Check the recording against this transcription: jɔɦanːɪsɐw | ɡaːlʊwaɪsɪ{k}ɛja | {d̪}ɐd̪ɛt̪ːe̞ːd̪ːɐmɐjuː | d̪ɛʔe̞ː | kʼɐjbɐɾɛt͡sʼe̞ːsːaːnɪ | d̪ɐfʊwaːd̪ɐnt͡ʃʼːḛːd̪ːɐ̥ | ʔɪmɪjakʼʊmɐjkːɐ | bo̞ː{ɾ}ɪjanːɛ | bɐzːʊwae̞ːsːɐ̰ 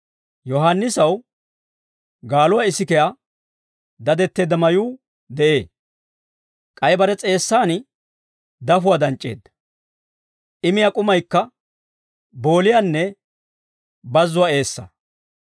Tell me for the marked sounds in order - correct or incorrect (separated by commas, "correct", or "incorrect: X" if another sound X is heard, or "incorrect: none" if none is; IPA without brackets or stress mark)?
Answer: correct, correct, incorrect: l